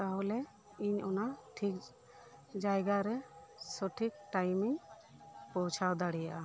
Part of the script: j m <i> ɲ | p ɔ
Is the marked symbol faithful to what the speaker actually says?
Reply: yes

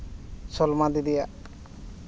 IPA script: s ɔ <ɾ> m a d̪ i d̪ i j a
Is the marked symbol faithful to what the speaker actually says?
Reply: no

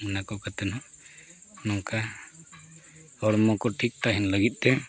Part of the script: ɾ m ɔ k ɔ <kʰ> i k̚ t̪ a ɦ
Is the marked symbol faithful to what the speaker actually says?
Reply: no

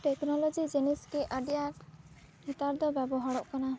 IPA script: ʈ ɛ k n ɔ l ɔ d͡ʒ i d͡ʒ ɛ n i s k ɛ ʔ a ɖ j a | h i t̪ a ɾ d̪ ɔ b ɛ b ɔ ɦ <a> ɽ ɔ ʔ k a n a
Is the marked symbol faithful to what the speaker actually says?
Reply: yes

